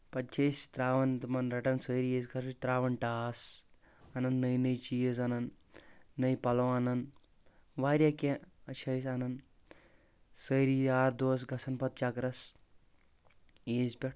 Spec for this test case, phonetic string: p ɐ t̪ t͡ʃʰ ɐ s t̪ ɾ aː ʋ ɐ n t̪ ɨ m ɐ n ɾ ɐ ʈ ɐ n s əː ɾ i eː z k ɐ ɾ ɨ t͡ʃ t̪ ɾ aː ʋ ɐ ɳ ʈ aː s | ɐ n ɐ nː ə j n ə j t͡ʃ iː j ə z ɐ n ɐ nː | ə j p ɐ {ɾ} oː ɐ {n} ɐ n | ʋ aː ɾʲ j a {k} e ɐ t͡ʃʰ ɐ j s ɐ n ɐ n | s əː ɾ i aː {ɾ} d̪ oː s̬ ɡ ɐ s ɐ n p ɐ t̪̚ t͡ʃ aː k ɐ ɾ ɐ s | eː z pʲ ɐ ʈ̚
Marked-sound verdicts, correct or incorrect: incorrect: l, correct, correct, correct

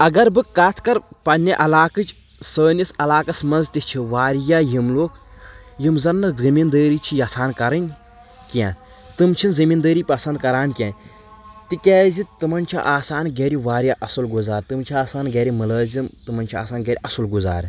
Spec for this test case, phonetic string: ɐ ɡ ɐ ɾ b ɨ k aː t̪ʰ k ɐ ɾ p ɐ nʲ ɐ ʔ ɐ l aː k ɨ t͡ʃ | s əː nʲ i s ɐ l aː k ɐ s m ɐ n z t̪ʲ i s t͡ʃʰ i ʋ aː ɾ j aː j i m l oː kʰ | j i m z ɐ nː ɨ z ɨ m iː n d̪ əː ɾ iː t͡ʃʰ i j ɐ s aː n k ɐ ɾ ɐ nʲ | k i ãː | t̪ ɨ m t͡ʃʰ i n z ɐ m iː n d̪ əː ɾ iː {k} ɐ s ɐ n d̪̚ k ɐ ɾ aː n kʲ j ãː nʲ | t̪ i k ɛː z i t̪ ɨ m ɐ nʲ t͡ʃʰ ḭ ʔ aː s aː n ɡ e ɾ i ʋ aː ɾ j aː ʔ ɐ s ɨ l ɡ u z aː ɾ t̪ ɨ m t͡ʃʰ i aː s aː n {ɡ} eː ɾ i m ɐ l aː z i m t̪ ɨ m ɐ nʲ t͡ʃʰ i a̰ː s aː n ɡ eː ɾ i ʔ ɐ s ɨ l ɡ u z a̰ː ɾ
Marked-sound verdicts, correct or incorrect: incorrect: p, correct

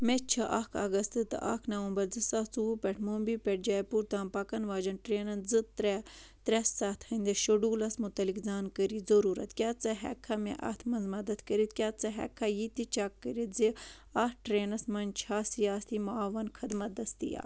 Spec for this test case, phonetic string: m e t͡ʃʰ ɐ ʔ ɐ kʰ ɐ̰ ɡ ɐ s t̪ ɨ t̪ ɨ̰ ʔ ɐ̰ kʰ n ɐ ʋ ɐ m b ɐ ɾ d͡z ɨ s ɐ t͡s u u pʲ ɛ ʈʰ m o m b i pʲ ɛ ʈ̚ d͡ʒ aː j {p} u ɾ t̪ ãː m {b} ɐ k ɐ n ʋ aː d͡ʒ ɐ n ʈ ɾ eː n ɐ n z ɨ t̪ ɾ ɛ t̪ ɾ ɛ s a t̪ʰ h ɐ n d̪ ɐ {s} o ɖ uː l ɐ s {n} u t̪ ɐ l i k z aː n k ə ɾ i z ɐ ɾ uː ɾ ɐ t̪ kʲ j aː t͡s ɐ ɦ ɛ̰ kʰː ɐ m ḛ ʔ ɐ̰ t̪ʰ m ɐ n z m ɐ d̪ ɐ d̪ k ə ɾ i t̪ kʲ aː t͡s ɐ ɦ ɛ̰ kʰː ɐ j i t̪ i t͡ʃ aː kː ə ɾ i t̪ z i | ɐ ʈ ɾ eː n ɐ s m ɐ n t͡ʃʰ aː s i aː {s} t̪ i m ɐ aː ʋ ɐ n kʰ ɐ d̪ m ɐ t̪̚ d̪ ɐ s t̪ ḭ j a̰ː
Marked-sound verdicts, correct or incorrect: correct, incorrect: p, incorrect: ʃ, incorrect: m, correct

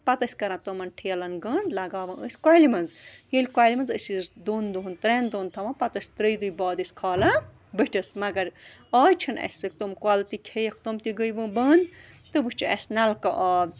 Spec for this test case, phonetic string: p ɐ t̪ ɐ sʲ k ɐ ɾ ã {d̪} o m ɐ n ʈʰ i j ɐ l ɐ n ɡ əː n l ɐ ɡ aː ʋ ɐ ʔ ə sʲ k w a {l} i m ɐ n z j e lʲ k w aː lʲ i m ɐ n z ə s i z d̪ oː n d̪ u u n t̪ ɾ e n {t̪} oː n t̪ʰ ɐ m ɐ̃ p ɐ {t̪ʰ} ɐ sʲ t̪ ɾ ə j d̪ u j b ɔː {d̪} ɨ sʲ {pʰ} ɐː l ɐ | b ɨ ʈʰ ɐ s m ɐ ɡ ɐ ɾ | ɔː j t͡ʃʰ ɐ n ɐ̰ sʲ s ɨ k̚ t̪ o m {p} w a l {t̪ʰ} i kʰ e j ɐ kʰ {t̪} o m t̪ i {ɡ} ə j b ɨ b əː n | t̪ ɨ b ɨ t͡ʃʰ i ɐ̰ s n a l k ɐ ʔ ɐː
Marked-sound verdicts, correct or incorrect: incorrect: t̪, correct, incorrect: d̪, incorrect: t̪, correct, incorrect: kʰ, incorrect: k, incorrect: t̪, correct, correct

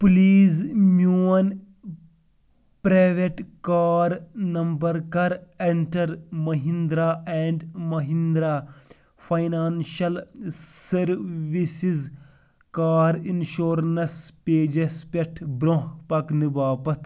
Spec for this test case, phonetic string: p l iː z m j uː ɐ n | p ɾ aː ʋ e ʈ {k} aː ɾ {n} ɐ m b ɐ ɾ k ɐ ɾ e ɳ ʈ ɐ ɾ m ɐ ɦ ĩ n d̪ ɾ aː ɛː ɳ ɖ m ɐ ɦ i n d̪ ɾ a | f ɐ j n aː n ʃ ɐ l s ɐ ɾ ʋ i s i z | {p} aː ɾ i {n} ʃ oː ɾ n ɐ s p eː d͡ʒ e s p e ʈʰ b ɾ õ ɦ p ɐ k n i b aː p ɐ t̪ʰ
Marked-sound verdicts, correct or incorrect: correct, correct, incorrect: k, correct

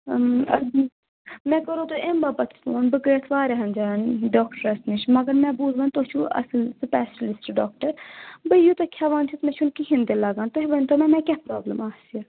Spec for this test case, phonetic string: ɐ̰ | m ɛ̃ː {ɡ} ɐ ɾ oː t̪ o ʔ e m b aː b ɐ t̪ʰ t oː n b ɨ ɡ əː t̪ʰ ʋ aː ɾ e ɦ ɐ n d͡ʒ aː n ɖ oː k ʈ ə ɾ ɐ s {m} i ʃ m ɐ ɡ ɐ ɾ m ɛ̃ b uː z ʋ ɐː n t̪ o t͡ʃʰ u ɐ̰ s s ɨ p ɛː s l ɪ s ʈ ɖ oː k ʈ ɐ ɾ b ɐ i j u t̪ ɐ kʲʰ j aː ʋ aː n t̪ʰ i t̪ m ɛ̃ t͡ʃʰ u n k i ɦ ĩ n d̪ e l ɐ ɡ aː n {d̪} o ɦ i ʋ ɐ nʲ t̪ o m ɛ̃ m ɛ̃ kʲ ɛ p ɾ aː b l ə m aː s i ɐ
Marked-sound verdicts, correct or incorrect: incorrect: k, incorrect: n, incorrect: t̪

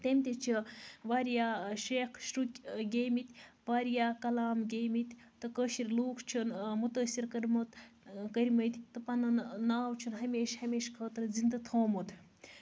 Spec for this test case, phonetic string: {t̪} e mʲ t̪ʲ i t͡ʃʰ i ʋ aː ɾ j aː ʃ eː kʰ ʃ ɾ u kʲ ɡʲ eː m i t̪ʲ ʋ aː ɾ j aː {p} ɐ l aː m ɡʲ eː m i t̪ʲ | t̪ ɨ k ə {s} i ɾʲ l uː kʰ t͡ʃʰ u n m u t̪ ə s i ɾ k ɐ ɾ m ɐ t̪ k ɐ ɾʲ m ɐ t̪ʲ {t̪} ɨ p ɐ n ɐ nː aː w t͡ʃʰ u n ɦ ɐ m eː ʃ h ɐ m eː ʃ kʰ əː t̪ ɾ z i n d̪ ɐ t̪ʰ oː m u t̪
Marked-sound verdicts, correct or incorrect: correct, incorrect: k, incorrect: ʃ, correct

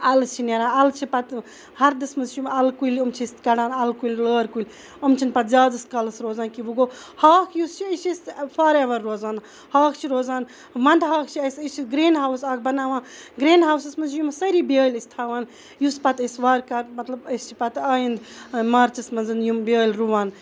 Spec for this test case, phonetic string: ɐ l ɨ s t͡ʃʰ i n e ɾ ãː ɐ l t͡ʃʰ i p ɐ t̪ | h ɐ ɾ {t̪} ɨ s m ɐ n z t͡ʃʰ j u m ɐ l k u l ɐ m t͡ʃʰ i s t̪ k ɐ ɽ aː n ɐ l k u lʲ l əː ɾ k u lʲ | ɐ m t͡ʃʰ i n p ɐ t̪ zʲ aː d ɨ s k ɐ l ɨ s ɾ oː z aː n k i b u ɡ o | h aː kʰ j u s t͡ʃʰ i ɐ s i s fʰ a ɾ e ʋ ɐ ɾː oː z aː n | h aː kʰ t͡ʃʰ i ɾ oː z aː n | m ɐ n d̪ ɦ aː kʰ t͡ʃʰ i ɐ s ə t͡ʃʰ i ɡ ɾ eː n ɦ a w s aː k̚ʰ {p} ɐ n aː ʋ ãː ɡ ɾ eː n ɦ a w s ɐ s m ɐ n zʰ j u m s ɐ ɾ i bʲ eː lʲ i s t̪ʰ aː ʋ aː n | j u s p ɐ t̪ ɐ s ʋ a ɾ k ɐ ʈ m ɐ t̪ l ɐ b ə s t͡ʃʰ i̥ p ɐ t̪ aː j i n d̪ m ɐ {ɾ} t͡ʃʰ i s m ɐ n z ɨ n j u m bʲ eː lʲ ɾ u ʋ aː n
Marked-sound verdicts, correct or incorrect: incorrect: d̪, incorrect: b, correct

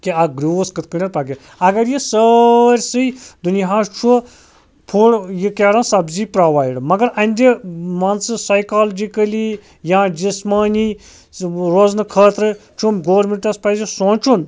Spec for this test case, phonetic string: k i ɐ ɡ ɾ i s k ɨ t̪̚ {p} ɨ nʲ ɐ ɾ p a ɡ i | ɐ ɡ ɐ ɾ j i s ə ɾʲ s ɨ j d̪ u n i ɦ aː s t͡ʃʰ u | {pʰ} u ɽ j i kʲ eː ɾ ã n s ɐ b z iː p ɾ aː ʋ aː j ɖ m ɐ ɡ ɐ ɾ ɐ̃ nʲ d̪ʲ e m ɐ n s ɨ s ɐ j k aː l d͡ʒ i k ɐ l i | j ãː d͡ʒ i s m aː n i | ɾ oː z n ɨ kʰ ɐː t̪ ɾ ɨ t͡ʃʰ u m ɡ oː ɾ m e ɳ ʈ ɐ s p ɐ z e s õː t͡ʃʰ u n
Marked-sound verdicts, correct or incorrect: incorrect: k, correct

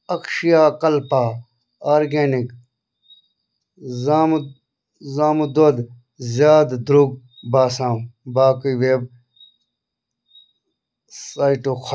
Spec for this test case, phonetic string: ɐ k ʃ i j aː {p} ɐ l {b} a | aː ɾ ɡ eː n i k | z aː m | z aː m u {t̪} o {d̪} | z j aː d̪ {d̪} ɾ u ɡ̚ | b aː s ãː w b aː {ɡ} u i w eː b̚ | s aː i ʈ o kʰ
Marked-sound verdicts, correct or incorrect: incorrect: k, incorrect: p, incorrect: d̪, correct, correct, incorrect: k

